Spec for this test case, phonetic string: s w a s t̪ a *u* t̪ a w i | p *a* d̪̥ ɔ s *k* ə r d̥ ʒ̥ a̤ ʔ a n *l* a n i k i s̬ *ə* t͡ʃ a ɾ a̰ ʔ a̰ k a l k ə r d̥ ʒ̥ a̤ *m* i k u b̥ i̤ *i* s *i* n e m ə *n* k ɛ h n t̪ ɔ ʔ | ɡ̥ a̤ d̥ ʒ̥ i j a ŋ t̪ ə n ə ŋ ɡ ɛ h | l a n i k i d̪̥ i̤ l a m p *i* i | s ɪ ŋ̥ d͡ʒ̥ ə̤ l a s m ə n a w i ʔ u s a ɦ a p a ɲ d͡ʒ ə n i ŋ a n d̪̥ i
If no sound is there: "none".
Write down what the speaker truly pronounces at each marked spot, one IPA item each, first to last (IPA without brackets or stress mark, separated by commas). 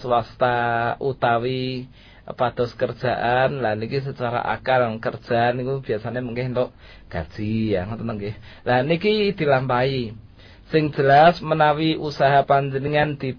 u, a, k, l, ə, n, a, a, ŋ, a